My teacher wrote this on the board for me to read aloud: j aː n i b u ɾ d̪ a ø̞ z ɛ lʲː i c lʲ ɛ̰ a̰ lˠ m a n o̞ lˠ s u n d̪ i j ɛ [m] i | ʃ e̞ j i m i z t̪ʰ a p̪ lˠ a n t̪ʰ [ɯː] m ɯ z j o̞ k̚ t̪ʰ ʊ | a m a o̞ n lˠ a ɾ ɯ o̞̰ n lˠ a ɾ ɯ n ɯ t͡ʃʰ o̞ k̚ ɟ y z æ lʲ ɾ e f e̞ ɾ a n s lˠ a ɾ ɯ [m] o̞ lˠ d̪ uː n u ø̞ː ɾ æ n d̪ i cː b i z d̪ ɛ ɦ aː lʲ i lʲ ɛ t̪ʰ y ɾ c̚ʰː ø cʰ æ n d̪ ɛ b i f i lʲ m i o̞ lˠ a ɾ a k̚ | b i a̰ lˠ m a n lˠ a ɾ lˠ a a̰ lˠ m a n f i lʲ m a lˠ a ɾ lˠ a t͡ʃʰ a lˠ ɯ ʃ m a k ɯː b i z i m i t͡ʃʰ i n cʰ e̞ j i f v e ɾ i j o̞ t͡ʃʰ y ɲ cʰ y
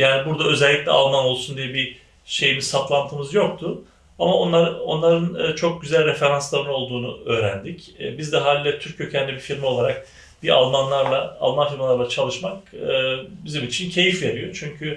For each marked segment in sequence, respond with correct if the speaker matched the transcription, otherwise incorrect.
incorrect: b, incorrect: ɯ, incorrect: n

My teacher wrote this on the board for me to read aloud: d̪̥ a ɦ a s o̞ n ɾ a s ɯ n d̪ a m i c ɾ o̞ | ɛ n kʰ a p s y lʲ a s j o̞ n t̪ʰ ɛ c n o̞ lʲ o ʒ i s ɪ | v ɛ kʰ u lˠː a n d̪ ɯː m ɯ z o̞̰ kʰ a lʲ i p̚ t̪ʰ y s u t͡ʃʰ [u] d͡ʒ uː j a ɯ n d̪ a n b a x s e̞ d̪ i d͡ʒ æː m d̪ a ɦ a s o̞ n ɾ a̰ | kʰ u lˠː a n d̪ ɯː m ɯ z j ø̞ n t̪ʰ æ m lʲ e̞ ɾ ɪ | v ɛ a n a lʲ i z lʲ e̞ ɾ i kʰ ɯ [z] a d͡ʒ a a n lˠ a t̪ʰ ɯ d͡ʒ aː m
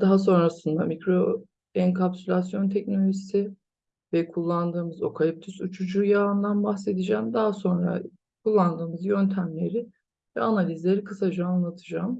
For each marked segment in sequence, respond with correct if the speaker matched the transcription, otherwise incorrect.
correct, incorrect: s

